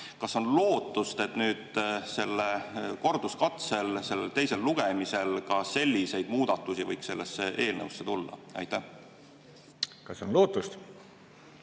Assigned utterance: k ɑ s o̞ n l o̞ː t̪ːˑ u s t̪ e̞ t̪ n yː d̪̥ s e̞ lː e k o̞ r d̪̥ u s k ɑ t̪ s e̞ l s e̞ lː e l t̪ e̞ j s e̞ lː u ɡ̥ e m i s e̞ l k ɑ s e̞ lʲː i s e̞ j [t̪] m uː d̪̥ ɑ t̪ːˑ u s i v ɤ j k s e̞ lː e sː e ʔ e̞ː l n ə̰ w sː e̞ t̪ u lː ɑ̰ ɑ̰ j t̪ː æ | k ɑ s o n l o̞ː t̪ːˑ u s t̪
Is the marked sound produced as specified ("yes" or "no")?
no